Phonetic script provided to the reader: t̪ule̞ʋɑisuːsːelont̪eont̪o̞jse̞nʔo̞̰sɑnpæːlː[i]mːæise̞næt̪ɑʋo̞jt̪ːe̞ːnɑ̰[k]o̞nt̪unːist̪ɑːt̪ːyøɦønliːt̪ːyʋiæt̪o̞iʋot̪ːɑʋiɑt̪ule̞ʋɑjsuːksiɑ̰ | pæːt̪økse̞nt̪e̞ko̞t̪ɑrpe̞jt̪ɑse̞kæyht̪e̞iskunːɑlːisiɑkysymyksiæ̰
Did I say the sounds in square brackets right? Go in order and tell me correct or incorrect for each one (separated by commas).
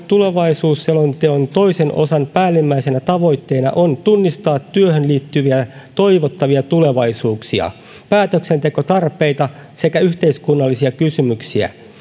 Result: correct, incorrect